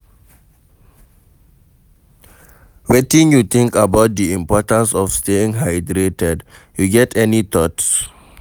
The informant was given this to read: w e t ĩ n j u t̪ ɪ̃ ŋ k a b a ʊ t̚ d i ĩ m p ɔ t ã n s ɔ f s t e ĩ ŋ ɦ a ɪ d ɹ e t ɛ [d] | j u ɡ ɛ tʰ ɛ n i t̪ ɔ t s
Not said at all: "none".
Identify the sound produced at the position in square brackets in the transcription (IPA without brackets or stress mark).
d